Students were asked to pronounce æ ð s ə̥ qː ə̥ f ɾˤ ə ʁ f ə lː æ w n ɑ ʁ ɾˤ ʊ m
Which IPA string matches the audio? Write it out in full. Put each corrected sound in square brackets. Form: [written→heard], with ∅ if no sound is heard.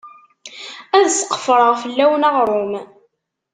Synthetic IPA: æ ð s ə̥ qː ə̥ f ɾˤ ə ʁ f ə lː æ w n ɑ ʁ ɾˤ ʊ m